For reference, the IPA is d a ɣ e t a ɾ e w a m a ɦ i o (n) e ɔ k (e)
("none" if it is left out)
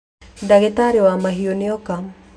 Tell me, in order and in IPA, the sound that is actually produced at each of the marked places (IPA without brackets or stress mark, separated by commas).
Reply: n, a